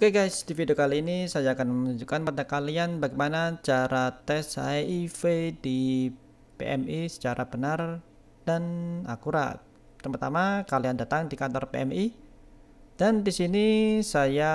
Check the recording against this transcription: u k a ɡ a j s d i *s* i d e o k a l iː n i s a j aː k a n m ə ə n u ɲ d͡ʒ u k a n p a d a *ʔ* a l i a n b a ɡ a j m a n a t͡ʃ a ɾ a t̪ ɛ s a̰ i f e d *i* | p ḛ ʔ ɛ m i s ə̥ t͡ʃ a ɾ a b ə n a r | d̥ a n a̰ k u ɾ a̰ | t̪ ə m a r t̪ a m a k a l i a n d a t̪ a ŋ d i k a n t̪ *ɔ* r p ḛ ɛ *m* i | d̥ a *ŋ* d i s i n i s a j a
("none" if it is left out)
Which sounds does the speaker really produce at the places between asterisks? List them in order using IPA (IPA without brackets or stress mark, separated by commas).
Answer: f, k, i, ɔ, m, n